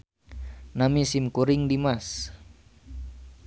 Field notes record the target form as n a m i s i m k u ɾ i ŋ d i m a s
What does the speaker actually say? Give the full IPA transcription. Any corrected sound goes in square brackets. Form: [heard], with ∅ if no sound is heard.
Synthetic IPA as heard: n a m i s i m k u ɾ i ŋ d i m a s